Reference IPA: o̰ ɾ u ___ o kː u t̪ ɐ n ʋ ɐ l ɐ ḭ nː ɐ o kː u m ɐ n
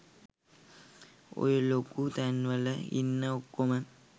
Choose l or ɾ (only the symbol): l